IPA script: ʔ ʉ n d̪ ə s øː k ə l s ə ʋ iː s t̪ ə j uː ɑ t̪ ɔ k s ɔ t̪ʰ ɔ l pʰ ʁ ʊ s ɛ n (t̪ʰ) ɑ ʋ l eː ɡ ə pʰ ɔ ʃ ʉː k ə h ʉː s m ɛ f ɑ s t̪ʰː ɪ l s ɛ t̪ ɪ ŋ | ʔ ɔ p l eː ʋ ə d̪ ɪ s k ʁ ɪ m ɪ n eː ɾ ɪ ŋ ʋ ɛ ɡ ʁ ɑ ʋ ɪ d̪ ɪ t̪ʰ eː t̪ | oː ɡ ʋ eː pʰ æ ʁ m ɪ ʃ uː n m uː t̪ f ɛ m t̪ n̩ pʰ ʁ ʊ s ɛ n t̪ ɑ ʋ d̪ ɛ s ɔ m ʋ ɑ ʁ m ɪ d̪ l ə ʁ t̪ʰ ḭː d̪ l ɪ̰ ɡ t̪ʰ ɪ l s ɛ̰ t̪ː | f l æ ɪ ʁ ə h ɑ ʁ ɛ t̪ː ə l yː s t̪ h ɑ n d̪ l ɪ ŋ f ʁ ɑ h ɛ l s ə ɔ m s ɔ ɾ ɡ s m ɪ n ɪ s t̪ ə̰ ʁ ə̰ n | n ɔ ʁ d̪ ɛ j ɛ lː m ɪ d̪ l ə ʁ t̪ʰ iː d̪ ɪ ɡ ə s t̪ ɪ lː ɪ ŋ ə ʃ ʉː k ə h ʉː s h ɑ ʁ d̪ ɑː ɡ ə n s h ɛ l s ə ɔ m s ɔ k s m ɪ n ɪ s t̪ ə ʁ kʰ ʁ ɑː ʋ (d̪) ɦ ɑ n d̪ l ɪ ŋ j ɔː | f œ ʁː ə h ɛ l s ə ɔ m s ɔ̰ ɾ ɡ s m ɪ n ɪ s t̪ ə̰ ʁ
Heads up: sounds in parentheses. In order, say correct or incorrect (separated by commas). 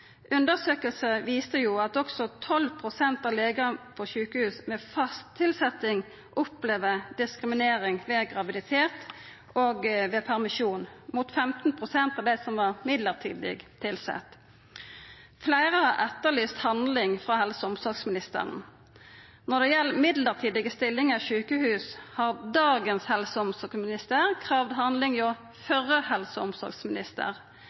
incorrect, correct